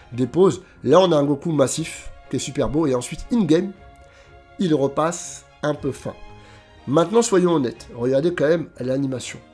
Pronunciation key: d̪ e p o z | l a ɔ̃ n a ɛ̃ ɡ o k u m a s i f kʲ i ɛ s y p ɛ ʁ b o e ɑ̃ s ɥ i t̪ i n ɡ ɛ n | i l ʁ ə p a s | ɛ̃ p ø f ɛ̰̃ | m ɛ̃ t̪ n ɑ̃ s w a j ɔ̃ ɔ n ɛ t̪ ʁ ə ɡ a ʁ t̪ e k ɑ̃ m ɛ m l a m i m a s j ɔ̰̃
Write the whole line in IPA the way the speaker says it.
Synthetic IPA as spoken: d̪ e p o z | l a ɔ̃ n a ɛ̃ ɡ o k u m a s i f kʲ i ɛ s y p ɛ ʁ b o e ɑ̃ s ɥ i t̪ i n ɡ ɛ m | i l ʁ ə p a s | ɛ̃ p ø f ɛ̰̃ | m ɛ̃ t̪ n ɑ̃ s w a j ɔ̃ ɔ n ɛ t̪ ʁ ə ɡ a ʁ d̪ e k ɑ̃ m ɛ m l a n i m a s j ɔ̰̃